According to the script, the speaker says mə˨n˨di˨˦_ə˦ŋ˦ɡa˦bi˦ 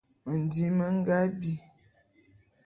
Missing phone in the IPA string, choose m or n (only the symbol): m